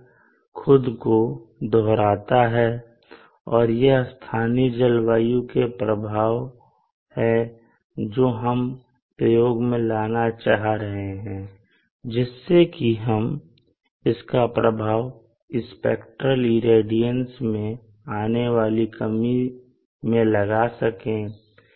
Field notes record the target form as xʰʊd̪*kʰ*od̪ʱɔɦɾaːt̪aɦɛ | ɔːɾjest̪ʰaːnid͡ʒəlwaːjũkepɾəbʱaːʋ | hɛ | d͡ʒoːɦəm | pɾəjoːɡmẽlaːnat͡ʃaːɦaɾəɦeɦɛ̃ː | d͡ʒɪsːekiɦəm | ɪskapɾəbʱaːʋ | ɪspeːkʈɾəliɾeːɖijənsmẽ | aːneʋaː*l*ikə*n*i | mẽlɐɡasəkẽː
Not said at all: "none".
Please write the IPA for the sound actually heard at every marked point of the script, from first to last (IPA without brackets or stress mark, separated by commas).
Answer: k, l, m